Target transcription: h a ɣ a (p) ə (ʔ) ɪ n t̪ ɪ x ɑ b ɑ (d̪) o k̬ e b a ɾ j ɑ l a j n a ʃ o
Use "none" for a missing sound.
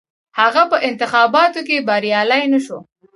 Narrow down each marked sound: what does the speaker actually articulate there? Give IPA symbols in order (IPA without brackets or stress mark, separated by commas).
p, ʔ, t̪